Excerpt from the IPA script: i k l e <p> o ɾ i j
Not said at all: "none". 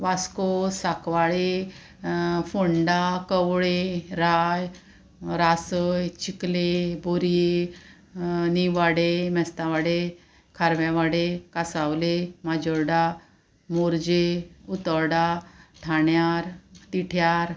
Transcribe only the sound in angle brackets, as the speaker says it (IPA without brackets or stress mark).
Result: b